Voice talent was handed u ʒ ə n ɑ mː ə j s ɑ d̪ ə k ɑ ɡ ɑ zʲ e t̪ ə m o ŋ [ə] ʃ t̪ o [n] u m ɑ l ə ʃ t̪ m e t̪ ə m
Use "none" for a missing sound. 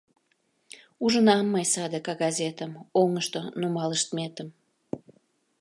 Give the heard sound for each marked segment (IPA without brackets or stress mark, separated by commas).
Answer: ə, n